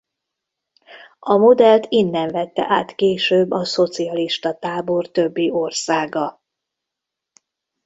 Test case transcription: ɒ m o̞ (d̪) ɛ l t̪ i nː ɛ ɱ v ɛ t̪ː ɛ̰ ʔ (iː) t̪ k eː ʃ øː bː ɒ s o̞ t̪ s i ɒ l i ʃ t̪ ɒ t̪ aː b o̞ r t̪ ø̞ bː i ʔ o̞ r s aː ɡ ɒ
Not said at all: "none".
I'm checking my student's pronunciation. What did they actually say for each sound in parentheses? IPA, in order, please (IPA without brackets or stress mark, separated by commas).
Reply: d̪, aː